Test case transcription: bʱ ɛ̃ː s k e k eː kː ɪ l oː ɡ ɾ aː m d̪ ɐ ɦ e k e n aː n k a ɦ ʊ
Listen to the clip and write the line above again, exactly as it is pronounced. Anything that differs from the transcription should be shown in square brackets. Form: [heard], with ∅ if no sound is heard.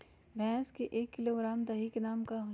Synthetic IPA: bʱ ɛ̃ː s k e [ʔ] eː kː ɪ l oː ɡ ɾ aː m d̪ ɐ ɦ [i] k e n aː [m] k a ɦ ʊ